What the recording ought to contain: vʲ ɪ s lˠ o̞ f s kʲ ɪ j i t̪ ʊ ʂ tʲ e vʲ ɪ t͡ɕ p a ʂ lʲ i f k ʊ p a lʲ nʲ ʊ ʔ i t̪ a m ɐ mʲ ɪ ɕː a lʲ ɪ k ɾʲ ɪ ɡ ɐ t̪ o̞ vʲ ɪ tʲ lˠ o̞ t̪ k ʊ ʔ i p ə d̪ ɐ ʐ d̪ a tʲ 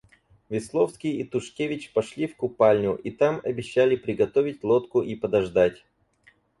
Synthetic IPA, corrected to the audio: vʲ ɪ s lˠ o̞ f s kʲ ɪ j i t̪ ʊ ʂ kʲ e vʲ ɪ t͡ɕ p ɐ ʂ lʲ i f k ʊ p a lʲ nʲ ʊ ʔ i t̪ a m ɐ bʲ ɪ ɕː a lʲ ɪ p ɾʲ ɪ ɡ ɐ t̪ o̞ vʲ ɪ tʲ lˠ o̞ t̪ k ʊ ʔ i p ə d̪ ɐ ʐ d̪ a tʲ